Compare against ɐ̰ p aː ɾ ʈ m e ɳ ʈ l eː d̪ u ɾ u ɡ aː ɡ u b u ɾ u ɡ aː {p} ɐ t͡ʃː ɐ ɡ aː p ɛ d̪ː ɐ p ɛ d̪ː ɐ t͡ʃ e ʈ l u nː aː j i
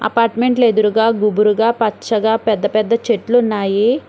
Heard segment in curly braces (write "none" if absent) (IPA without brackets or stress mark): p